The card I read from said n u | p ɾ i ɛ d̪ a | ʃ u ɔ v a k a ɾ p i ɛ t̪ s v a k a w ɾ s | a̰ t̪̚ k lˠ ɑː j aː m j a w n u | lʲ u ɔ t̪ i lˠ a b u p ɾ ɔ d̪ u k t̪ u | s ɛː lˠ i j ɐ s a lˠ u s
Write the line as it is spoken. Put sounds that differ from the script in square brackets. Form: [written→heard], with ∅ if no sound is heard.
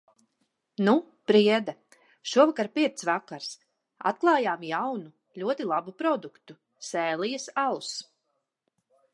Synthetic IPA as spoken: n u | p ɾ i ɛ d̪ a | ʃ u ɔ v a k a ɾ p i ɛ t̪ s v a k a [w→∅] ɾ s | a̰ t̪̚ k lˠ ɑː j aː m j a w n u | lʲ u ɔ t̪ i lˠ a b u p ɾ ɔ d̪ u k t̪ u | s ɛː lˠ i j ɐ s a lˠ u s